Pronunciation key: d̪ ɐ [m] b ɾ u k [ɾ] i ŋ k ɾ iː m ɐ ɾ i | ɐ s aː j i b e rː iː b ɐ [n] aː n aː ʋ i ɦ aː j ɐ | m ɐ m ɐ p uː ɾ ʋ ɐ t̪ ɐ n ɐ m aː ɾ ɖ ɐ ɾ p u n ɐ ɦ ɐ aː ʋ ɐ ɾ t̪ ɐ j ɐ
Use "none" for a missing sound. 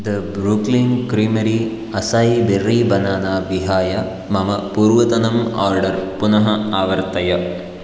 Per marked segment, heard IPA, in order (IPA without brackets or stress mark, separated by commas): none, l, n